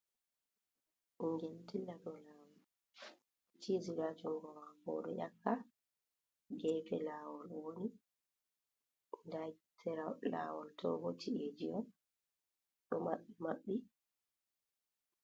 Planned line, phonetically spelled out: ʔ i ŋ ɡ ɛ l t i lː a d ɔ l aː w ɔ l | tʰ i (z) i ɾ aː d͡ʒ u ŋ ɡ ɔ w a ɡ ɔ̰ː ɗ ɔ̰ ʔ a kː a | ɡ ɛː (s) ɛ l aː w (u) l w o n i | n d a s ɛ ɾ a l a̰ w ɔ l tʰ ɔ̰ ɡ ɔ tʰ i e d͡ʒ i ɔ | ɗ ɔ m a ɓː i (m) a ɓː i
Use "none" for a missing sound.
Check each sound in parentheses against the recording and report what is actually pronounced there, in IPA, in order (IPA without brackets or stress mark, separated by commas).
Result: z, f, ɔ, m